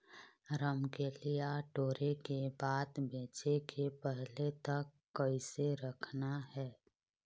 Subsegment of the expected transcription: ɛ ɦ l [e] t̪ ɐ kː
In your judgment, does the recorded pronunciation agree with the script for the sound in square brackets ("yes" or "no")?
yes